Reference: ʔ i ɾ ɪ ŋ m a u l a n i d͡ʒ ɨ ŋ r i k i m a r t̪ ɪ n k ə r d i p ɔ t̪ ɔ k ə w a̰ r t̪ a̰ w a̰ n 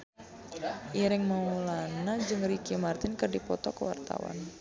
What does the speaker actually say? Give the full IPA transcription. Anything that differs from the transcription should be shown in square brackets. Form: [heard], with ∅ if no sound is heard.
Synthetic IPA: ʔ i ɾ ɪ ŋ m a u l a n [a] d͡ʒ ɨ ŋ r i k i m a r t̪ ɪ n k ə r d i p ɔ t̪ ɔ k ə w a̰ r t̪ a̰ w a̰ n

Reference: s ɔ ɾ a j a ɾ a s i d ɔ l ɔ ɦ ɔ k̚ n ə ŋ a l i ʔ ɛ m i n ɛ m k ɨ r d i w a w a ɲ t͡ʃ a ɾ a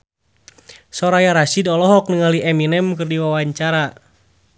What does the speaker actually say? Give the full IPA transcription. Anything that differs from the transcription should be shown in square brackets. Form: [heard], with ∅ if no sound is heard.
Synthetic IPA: s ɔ ɾ a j a ɾ a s i d ɔ l ɔ ɦ ɔ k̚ n ə ŋ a l i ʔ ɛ m i n ɛ m k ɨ r d i w a w a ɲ t͡ʃ a ɾ a

